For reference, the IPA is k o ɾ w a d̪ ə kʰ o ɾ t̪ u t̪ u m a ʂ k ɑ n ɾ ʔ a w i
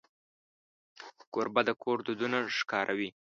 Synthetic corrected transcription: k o ɾ b a d̪ ə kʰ o ɾ d̪ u d̪ u n a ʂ k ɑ ɾ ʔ a w i